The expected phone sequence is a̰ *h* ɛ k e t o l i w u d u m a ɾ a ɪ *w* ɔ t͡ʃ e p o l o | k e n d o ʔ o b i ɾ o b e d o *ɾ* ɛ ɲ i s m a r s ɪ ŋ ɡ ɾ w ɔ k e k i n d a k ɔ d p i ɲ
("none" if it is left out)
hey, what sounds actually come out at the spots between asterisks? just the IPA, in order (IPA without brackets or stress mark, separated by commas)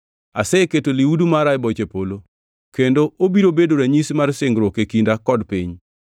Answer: s, b, ɾ